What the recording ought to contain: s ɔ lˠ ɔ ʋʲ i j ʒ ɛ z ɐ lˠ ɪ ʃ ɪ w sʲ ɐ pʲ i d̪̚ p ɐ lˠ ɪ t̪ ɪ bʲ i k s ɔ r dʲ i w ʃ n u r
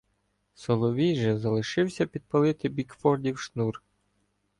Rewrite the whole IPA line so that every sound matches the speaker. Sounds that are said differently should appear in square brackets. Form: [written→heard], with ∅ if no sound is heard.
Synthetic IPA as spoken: s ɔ lˠ ɔ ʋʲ i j ʒ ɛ z ɐ lˠ ɪ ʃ ɪ w sʲ ɐ pʲ i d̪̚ p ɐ lˠ ɪ t̪ ɪ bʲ i k [s→f] ɔ r dʲ i w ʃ n u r